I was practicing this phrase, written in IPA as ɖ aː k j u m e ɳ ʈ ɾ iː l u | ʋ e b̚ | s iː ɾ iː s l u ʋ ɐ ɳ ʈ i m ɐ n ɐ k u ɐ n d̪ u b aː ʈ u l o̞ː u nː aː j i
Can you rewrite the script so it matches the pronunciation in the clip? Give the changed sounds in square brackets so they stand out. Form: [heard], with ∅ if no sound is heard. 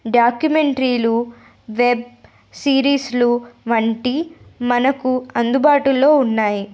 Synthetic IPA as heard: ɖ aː k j u m e ɳ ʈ ɾ iː l u | ʋ e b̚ | s iː ɾ iː s l u ʋ ɐ ɳ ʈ i m ɐ n ɐ k u ɐ n d̪ u b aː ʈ u l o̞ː u nː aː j i